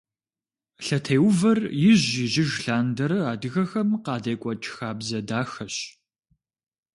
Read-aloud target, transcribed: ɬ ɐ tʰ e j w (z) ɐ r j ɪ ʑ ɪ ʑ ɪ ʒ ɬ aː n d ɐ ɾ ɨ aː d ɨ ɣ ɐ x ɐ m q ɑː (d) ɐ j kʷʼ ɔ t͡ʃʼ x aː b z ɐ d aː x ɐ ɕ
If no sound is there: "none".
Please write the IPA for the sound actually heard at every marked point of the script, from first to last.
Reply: v, d

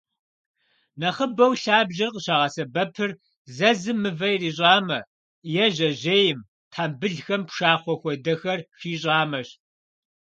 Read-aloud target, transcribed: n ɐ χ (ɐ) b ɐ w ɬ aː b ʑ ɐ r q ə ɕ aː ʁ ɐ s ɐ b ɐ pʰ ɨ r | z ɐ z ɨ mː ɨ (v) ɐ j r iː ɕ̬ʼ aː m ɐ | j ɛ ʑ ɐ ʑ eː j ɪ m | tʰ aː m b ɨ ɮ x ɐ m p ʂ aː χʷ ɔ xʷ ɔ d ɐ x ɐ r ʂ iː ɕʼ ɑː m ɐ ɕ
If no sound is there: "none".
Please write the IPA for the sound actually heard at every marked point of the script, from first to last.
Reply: ə, v

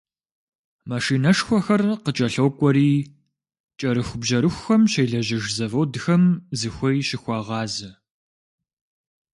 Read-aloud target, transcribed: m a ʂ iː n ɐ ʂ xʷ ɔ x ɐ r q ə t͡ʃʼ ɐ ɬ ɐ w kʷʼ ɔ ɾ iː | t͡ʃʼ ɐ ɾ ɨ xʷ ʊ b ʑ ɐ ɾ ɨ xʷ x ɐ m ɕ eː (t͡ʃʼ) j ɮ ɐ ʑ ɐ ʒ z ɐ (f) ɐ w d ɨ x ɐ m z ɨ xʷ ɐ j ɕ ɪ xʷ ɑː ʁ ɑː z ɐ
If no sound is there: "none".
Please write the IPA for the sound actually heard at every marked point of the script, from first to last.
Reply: none, v

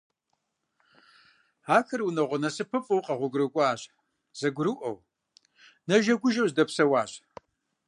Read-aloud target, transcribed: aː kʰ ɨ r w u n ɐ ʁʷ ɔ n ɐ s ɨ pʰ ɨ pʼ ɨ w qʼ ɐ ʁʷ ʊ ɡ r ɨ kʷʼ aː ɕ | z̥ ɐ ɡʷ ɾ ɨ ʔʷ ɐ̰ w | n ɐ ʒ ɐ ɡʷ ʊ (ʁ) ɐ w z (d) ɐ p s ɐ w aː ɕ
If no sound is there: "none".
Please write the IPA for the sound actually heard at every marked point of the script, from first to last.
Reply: ʒ, d

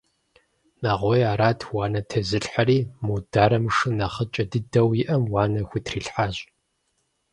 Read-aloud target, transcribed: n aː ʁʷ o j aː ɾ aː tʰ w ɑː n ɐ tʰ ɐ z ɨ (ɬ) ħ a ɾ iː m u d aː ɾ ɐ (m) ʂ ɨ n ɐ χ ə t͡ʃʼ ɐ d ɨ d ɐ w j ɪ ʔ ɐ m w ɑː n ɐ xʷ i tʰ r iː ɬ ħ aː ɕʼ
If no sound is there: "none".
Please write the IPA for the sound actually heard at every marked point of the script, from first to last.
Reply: ɬ, m

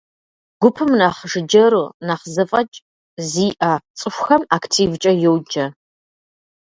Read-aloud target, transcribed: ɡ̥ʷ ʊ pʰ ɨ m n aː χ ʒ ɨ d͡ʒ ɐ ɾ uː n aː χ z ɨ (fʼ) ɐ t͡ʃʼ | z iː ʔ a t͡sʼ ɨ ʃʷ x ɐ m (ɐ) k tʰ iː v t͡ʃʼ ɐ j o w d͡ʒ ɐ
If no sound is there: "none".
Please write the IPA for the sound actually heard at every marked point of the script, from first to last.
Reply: fʼ, a

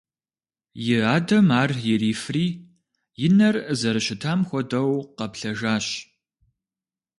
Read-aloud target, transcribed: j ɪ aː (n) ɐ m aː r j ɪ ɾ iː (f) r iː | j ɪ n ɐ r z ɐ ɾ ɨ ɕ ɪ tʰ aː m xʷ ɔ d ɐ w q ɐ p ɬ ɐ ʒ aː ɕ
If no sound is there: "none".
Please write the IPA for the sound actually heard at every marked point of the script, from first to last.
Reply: d, f

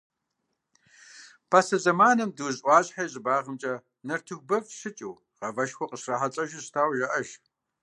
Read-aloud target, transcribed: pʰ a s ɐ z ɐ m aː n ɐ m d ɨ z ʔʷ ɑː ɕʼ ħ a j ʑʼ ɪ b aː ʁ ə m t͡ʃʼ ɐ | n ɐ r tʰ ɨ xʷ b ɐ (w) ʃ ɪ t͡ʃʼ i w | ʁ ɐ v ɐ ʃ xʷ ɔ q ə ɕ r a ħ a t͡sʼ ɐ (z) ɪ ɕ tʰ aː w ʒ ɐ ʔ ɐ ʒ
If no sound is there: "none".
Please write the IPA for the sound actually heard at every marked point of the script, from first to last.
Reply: v, ʒ

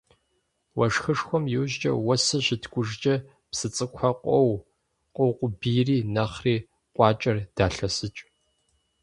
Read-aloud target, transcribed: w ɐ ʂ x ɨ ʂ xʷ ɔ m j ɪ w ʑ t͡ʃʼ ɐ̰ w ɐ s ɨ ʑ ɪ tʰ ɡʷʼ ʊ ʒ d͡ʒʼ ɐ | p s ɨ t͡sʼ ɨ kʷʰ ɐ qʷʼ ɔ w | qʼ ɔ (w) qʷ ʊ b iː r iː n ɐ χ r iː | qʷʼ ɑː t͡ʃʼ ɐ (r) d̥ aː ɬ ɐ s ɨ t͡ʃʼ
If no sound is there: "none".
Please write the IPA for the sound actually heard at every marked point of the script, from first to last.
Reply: w, r

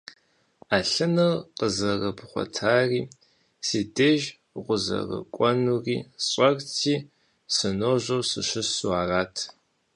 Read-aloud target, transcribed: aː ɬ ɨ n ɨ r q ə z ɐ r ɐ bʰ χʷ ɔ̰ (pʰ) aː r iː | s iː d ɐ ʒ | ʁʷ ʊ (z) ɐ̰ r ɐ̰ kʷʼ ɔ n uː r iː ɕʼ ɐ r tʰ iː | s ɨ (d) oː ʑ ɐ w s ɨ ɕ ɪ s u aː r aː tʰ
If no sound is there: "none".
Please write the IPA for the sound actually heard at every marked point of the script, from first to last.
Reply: tʰ, z, n

